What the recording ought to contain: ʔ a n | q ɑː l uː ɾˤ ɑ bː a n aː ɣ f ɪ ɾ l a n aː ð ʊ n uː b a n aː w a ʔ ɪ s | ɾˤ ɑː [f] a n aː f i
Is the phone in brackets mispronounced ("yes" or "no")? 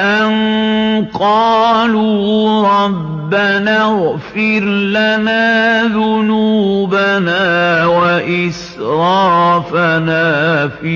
no